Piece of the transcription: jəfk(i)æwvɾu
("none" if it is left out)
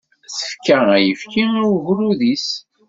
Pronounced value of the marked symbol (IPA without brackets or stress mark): i